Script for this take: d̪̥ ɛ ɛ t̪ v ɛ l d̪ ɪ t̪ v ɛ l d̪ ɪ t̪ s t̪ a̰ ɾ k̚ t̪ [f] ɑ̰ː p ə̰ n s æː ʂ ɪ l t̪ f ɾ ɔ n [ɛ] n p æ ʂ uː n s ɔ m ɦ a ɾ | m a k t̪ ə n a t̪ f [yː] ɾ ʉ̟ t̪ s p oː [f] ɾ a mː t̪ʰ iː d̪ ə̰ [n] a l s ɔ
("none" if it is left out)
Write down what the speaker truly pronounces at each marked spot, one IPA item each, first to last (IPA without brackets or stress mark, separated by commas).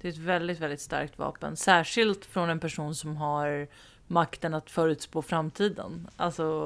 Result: v, ɛ, œː, f, n